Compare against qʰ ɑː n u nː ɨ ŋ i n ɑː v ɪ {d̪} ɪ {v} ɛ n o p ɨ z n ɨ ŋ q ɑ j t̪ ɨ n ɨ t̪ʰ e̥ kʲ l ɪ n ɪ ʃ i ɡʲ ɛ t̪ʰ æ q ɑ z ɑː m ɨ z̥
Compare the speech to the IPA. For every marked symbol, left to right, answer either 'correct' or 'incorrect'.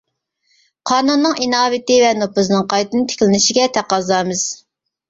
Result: incorrect: t̪, correct

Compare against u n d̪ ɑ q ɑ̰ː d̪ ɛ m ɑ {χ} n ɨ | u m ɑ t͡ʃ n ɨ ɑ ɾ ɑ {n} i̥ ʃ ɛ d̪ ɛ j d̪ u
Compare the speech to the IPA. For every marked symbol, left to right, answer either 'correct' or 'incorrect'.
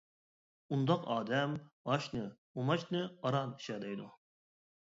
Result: incorrect: ʃ, correct

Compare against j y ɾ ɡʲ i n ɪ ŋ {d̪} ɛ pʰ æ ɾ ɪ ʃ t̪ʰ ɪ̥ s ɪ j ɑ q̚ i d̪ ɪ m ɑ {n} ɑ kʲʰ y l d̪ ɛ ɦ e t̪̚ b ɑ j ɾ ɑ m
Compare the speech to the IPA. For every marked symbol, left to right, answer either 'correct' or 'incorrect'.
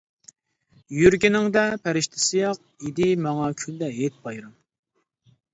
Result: correct, incorrect: ŋ

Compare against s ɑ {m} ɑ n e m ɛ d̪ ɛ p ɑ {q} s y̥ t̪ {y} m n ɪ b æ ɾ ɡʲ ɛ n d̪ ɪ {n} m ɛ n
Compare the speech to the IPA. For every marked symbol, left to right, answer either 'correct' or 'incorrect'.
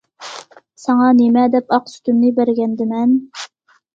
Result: incorrect: ŋ, correct, correct, incorrect: none

